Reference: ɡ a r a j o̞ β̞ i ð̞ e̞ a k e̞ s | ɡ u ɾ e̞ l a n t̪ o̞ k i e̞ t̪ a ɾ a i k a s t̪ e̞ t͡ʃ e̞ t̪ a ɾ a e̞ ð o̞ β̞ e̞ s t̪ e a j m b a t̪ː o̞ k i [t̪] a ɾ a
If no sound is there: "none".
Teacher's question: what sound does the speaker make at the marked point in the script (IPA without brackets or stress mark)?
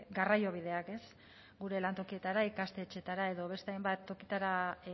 t̪